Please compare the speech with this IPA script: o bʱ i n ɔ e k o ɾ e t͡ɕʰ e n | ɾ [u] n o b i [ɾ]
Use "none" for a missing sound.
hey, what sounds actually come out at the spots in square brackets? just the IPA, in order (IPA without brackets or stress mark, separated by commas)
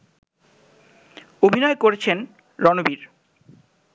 ɔ, ɾ